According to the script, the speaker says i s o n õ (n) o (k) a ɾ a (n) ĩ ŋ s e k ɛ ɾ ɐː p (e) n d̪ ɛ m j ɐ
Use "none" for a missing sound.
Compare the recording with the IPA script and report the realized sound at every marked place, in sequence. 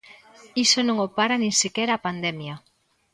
ŋ, p, n, a

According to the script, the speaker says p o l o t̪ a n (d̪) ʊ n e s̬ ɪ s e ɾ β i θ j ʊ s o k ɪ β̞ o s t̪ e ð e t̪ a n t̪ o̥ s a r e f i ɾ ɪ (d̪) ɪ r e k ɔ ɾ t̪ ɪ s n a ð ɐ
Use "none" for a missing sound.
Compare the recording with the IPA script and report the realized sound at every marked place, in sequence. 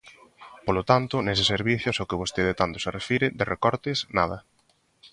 t̪, d̪

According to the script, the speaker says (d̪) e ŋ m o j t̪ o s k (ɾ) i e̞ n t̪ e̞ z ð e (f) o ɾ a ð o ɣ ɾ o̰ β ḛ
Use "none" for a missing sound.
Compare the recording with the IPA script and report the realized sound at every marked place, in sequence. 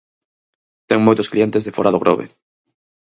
t̪, l, f

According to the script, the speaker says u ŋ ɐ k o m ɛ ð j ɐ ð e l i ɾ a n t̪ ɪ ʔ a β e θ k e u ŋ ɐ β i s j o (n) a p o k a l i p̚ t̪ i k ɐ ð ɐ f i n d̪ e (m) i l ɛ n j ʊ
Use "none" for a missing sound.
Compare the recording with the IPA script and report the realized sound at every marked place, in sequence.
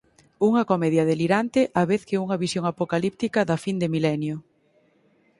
ŋ, m

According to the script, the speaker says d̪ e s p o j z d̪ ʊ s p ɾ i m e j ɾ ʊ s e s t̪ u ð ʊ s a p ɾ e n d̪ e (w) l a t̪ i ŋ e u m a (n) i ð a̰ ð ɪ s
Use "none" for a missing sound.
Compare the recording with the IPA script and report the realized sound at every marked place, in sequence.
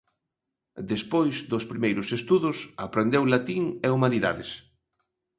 w, n

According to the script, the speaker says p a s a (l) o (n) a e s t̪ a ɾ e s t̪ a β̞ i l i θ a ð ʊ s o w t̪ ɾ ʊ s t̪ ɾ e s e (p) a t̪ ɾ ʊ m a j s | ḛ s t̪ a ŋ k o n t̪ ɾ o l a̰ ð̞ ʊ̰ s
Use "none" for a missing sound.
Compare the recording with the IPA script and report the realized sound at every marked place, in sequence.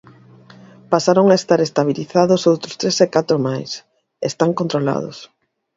ɾ, ŋ, k

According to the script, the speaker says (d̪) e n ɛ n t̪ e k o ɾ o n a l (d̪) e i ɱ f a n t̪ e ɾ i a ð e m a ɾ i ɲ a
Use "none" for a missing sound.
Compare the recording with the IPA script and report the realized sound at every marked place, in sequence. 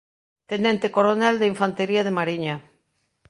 t̪, d̪

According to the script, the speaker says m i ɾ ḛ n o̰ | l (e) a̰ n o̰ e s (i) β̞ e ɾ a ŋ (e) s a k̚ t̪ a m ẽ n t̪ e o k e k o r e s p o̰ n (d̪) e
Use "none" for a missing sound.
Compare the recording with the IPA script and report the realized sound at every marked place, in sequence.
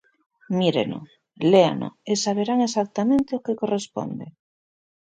e, a, e, d̪

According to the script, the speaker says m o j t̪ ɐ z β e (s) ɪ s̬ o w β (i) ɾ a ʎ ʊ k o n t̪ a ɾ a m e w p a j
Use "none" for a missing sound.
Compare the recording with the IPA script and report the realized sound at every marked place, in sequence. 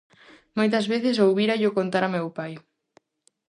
θ, i

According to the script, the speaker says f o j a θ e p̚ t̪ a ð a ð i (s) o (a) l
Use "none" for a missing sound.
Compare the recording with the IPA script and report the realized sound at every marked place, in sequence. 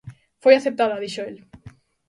ʃ, e

